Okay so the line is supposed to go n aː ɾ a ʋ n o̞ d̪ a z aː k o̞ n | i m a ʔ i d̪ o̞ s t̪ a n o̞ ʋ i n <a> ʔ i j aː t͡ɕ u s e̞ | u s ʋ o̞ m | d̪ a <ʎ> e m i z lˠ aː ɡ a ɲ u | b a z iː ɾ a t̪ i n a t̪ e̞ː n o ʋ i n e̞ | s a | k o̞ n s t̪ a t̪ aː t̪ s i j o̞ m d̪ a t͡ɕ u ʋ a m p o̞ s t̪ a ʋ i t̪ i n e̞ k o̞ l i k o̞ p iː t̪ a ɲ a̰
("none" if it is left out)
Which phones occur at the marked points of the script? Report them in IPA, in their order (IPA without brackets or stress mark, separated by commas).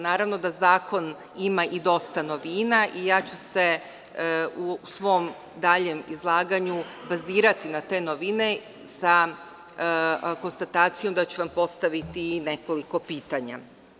a, ʎ